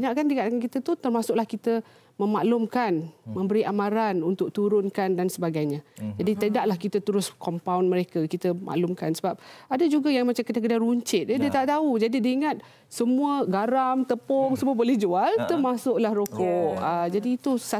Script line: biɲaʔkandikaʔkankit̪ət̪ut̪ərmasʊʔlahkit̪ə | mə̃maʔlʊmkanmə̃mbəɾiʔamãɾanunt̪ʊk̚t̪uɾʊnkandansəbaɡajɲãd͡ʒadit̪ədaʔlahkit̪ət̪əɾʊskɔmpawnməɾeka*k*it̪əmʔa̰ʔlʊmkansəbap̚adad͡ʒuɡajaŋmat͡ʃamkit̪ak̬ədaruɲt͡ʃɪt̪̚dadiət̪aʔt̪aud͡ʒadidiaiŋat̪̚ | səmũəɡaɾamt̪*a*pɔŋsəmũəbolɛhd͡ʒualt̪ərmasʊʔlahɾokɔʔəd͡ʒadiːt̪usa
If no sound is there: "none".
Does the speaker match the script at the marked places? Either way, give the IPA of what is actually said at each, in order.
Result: k, ə

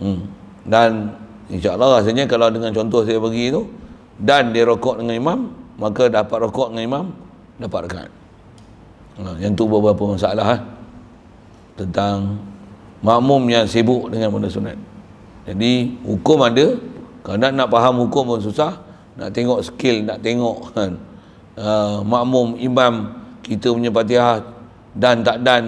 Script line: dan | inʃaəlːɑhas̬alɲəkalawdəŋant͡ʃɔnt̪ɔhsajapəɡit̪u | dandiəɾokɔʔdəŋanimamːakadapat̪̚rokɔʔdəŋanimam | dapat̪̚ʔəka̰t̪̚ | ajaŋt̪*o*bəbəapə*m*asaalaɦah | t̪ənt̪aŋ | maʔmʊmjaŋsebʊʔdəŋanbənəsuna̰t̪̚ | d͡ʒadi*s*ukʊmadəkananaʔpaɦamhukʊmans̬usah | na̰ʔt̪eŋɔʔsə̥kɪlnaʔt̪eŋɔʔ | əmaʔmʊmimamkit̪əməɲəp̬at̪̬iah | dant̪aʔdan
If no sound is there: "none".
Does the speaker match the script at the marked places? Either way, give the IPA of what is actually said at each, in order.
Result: u, m, h

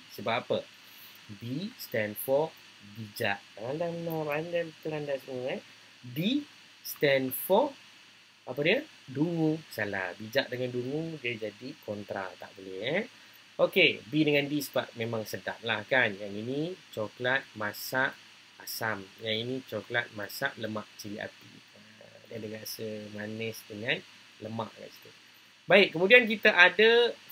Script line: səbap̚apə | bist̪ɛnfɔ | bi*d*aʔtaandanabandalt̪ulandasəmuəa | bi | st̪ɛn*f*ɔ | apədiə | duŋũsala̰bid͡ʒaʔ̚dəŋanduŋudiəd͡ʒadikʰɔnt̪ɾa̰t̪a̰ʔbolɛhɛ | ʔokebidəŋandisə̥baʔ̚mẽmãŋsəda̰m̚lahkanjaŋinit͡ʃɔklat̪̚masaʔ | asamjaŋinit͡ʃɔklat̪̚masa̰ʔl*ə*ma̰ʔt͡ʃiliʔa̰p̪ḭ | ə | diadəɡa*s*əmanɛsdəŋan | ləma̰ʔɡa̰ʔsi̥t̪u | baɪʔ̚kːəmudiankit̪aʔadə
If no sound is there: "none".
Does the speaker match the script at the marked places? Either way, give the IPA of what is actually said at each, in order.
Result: d͡ʒ, f, ə, s

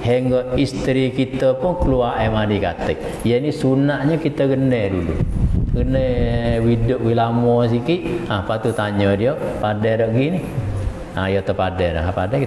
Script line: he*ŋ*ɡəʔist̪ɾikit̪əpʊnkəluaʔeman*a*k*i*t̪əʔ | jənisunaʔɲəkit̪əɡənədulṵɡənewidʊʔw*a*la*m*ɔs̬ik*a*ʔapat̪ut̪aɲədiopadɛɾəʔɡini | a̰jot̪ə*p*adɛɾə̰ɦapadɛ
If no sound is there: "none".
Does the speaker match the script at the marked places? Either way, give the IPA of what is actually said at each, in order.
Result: ŋ, i, a, i, m, i, p

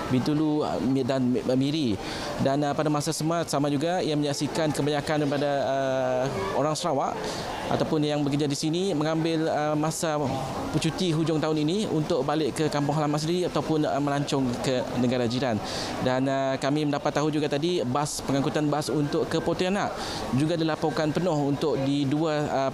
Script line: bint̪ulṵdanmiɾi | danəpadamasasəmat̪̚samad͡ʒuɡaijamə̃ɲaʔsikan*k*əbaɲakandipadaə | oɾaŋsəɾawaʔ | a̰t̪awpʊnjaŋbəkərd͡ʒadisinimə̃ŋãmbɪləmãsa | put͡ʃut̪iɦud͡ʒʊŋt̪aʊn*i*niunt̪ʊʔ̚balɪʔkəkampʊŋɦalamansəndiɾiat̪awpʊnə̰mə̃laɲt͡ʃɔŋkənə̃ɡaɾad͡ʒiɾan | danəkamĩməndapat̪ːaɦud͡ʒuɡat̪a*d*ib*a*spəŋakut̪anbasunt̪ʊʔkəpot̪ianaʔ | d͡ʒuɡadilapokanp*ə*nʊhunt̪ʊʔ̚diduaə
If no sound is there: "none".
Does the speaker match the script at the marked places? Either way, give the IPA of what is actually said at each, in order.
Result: k, i, d, a, ə

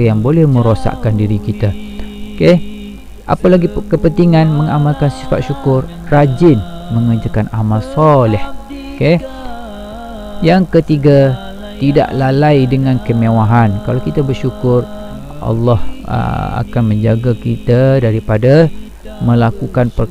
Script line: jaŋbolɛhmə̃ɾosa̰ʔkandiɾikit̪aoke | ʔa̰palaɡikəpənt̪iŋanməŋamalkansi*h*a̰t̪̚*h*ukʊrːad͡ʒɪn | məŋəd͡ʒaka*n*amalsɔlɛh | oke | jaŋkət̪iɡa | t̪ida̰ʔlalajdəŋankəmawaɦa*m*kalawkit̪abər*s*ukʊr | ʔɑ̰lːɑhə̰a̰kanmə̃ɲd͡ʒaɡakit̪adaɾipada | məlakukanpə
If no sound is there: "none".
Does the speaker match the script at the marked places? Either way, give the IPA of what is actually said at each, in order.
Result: f, ʃ, n, n, ʃ

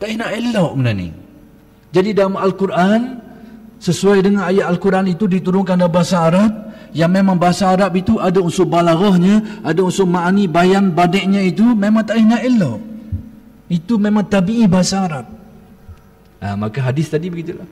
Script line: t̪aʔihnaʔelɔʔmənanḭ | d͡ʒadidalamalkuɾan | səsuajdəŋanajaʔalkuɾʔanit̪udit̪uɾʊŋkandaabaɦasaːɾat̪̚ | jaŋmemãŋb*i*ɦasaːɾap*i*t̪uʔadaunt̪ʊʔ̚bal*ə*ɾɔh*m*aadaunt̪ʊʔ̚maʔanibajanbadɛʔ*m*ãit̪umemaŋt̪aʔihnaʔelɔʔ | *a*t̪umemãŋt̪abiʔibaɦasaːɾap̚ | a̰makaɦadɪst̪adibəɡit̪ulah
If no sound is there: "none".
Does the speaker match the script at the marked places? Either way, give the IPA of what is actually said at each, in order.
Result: a, i, a, ɲ, ɲ, i

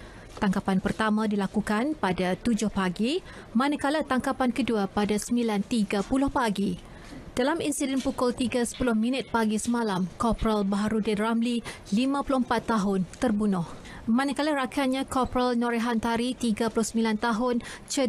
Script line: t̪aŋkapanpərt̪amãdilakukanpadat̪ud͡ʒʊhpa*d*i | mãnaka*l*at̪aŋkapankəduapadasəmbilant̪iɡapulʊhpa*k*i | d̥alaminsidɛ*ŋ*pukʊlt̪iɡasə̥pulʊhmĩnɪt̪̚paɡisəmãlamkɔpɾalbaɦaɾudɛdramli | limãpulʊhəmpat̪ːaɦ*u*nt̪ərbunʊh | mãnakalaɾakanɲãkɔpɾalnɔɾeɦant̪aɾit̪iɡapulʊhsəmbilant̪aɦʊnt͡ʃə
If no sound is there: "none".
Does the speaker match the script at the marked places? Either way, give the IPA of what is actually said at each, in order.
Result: ɡ, l, ɡ, n, ʊ

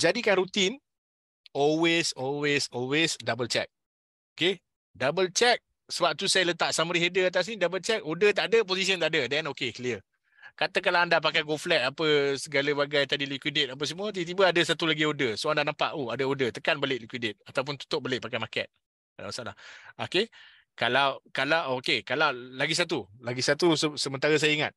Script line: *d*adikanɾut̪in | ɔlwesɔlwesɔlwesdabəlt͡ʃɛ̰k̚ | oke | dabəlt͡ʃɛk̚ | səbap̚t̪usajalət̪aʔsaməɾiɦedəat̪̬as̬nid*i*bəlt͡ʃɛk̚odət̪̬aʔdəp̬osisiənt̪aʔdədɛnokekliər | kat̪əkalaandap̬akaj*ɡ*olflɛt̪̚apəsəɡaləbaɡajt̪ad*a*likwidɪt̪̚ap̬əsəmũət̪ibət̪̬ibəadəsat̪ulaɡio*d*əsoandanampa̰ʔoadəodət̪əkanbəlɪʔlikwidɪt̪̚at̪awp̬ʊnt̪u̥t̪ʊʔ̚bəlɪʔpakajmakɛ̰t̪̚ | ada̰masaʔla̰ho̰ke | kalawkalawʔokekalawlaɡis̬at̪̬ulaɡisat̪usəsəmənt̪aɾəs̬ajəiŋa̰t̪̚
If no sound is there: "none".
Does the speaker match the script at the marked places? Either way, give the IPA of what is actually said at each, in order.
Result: d͡ʒ, a, ɡ, i, d

